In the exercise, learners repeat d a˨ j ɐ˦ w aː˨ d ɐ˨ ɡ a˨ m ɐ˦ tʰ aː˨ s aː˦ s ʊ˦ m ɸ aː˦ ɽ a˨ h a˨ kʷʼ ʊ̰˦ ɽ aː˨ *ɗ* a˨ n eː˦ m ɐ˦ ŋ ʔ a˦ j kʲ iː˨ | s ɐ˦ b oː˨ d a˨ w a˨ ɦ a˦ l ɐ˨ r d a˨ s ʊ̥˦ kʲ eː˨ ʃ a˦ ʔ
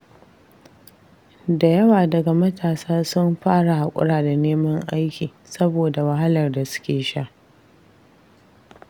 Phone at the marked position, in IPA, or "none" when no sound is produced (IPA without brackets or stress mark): d